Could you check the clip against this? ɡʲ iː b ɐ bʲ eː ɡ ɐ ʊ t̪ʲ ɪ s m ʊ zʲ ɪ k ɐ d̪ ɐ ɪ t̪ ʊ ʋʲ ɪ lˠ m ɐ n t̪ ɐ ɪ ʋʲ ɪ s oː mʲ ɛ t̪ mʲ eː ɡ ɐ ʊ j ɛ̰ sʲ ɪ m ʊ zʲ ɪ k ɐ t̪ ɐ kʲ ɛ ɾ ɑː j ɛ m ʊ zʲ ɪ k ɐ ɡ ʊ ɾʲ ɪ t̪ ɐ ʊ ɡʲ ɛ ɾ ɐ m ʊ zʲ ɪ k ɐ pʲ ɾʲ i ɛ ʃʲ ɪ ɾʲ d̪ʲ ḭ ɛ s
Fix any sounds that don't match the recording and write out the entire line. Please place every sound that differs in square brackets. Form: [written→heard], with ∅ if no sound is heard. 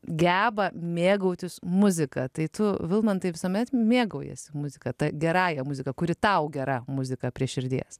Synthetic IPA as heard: ɡʲ [iː→æː] b ɐ [bʲ→mʲ] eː ɡ ɐ ʊ t̪ʲ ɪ s m ʊ zʲ ɪ k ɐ [d̪→t̪] ɐ ɪ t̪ ʊ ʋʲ ɪ lˠ m ɐ n t̪ ɐ ɪ ʋʲ ɪ s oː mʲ ɛ t̪ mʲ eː ɡ ɐ ʊ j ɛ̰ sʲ ɪ m ʊ zʲ ɪ k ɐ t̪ ɐ [kʲ→ɡʲ] ɛ ɾ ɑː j ɛ m ʊ zʲ ɪ k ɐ [ɡ→k] ʊ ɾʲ ɪ t̪ ɐ ʊ ɡʲ ɛ ɾ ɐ m ʊ zʲ ɪ k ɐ pʲ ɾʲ i ɛ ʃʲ ɪ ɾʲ d̪ʲ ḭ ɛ s